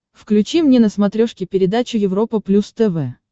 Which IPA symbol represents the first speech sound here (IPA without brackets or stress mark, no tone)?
f